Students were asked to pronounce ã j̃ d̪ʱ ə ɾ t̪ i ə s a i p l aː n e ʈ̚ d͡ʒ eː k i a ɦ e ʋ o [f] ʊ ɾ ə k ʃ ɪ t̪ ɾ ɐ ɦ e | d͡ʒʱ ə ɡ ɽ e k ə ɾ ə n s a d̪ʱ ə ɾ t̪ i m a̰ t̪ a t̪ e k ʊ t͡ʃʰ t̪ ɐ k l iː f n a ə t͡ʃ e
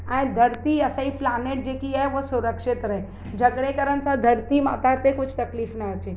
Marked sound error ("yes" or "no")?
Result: yes